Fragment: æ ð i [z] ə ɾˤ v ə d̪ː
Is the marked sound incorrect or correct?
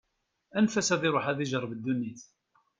incorrect